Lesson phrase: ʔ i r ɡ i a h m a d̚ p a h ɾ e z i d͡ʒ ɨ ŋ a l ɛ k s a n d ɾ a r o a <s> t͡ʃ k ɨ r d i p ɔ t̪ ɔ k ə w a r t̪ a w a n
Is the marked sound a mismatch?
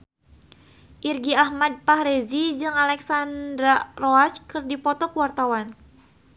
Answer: yes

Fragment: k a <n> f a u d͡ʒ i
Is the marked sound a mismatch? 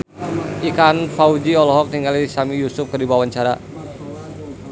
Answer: no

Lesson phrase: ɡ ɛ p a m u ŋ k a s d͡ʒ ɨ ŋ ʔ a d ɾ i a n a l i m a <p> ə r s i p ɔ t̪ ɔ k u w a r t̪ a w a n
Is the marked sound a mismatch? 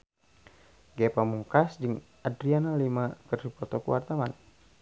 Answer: yes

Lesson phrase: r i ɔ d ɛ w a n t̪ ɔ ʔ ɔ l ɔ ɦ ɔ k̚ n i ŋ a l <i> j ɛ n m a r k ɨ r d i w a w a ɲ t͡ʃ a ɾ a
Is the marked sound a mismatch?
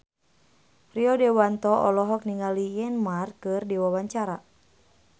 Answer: no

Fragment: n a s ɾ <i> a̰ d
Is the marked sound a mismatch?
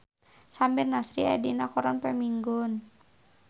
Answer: no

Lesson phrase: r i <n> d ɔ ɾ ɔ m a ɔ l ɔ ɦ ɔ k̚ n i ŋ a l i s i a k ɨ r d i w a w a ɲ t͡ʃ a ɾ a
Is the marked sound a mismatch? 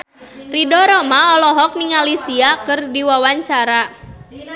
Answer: yes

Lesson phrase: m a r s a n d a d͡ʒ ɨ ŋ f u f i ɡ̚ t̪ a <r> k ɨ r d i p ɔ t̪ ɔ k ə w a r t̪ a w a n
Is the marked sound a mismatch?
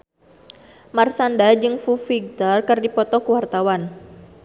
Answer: no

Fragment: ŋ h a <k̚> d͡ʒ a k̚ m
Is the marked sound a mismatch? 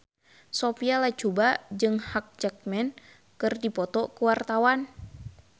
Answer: no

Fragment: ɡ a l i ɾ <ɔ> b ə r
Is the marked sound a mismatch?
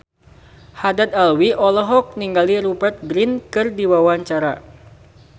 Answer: yes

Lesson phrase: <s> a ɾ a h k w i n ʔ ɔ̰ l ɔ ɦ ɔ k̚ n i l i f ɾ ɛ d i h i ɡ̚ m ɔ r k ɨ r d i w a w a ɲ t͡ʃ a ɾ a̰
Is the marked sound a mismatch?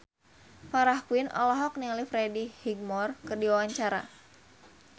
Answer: yes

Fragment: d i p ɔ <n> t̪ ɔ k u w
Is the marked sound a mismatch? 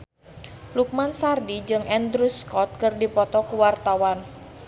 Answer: yes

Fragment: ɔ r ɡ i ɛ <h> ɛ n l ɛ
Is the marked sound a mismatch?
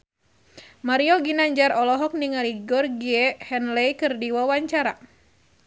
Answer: no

